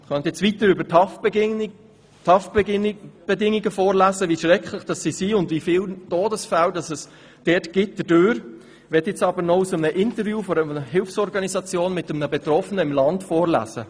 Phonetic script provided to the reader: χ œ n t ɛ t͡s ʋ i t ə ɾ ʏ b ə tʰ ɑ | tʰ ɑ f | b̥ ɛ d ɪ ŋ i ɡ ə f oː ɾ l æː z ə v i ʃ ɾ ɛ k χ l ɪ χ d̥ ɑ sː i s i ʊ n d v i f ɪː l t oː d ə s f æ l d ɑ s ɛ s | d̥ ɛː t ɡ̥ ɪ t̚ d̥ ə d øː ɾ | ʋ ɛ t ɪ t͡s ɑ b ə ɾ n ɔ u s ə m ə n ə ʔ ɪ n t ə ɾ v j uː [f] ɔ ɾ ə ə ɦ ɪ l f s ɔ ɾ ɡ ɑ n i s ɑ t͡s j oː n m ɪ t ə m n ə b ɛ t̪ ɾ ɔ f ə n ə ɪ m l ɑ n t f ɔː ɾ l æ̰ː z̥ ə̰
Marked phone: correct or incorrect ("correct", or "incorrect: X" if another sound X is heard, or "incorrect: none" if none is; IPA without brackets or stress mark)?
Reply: correct